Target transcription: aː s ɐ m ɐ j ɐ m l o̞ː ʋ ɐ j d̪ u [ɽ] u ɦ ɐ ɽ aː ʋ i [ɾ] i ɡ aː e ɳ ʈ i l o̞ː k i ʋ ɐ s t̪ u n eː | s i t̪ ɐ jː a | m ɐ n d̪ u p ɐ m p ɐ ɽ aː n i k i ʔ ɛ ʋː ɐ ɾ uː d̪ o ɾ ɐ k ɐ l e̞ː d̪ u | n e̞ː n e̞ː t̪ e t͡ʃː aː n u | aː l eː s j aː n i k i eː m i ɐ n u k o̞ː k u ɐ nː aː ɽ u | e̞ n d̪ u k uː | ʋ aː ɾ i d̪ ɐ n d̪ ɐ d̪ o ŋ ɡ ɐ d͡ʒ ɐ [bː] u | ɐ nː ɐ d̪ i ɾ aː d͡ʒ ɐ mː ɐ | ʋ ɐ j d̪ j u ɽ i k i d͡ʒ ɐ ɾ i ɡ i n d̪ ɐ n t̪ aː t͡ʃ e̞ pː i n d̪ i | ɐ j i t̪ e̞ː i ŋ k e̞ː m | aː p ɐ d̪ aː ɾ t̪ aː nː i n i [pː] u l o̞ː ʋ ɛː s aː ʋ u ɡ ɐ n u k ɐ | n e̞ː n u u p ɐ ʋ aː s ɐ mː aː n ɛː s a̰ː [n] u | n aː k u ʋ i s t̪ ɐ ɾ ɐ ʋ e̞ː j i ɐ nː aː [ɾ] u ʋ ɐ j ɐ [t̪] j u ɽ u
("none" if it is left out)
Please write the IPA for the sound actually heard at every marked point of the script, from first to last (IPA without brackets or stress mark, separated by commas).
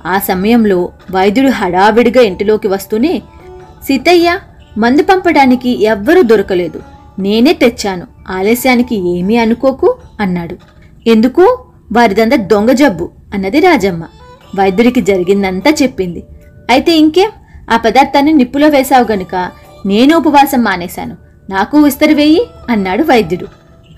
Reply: ɽ, ɽ, bː, pː, n, ɽ, d̪